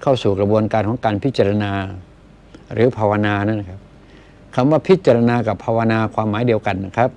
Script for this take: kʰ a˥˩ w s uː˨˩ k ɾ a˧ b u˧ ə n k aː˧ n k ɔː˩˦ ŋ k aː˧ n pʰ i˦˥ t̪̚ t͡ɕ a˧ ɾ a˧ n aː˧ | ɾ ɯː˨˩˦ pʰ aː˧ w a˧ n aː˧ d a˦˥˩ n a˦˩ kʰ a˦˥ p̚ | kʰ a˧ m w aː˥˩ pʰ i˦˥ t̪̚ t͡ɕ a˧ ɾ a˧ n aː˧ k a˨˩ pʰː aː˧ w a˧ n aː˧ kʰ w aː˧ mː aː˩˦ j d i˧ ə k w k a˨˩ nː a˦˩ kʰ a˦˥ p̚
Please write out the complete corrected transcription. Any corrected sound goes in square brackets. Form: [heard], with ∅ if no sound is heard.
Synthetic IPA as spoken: kʰ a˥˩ w s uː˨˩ k ɾ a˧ b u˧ ə n k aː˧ n k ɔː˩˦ ŋ k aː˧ n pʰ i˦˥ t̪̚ t͡ɕ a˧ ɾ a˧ n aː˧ | ɾ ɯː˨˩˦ pʰ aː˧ w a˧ n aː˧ [n] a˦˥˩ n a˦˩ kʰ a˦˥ p̚ | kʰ a˧ m w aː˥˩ pʰ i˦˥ t̪̚ t͡ɕ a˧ ɾ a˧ n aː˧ k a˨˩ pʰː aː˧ w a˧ n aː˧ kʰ w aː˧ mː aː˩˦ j d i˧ ə [∅] w k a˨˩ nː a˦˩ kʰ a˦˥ p̚